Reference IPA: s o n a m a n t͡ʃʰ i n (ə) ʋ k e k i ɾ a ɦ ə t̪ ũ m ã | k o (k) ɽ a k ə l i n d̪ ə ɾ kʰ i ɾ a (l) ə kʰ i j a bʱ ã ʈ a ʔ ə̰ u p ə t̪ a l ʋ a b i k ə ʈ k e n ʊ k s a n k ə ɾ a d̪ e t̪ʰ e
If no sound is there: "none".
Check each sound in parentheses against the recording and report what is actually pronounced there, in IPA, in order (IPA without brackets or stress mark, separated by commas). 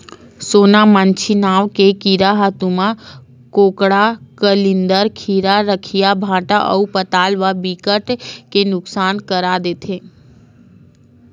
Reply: a, k, ɾ